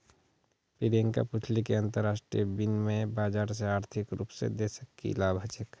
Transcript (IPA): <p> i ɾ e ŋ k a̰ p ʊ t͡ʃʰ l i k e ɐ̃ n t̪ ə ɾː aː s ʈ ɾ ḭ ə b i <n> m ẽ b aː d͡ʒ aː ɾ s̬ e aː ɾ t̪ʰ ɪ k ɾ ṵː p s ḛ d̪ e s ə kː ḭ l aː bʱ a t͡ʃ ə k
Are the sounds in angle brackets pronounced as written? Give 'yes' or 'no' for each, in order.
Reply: yes, yes

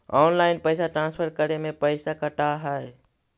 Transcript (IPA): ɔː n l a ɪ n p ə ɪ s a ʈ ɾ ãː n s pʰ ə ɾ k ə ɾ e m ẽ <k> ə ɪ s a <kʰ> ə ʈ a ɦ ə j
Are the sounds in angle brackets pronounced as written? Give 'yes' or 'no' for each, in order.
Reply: no, no

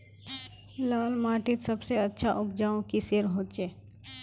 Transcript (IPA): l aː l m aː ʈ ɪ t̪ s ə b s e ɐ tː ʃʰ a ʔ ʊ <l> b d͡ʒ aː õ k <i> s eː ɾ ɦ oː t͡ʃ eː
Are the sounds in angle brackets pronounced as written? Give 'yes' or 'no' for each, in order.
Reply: no, yes

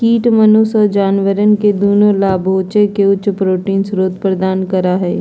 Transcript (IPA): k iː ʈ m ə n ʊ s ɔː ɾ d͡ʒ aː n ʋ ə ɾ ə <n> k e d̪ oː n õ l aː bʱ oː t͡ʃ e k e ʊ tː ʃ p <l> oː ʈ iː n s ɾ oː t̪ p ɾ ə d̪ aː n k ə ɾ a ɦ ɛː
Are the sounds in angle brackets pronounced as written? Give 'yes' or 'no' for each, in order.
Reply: yes, no

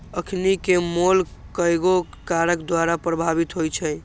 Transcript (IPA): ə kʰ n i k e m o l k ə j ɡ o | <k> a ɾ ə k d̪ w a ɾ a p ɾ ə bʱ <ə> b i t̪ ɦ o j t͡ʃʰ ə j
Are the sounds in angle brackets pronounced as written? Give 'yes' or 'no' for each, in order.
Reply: yes, no

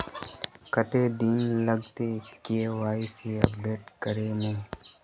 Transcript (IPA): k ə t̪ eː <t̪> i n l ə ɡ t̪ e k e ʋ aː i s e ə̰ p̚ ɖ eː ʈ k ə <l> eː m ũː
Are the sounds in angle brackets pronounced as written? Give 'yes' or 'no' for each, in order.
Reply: no, no

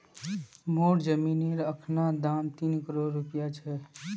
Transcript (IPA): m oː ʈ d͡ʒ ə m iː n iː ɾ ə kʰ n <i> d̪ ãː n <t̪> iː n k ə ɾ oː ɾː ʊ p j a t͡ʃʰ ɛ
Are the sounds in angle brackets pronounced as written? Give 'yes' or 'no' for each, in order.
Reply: no, yes

